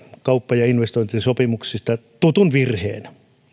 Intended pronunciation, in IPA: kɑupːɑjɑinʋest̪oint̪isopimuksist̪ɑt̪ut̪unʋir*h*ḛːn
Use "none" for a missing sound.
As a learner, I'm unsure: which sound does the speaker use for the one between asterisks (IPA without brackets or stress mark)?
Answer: h